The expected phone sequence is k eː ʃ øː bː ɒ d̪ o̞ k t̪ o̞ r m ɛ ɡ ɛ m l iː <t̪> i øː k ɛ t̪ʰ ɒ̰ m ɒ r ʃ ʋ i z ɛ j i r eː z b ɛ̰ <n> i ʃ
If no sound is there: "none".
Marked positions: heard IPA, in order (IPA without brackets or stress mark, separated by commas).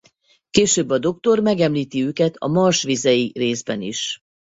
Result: t̪, n